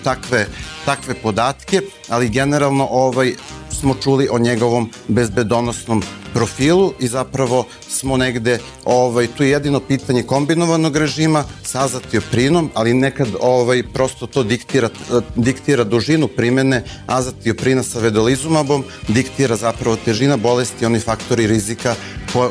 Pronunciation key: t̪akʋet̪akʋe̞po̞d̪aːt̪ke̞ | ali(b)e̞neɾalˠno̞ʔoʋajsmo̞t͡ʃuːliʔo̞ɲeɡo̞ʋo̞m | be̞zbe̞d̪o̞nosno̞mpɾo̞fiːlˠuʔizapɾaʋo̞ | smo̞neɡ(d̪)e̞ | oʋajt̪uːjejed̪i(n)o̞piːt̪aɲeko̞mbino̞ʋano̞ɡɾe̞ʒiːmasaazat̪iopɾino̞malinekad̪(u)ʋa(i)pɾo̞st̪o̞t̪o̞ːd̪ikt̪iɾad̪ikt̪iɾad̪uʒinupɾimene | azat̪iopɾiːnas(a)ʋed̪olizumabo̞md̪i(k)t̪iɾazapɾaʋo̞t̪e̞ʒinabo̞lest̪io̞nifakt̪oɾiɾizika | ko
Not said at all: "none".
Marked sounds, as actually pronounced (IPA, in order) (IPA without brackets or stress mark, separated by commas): ɡ, d̪, n, o, j, a, k